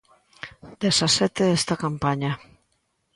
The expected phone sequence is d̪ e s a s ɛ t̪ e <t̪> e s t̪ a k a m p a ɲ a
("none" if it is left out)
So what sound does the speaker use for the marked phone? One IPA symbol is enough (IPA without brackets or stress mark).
none